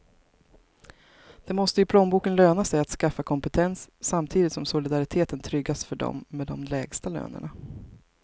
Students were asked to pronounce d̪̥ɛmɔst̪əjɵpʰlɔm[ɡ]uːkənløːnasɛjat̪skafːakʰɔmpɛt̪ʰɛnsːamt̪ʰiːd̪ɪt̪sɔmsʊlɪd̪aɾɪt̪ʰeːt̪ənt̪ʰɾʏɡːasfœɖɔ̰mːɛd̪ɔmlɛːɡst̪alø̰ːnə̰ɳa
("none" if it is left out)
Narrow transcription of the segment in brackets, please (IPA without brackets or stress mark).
b